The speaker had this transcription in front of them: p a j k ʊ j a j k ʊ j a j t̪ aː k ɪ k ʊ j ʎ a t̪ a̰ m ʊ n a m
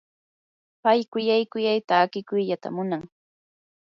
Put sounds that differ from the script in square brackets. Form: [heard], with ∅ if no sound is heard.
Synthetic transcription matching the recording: p a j k ʊ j a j k ʊ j a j t̪ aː k ɪ k ʊ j ʎ a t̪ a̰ m ʊ n a [ŋ]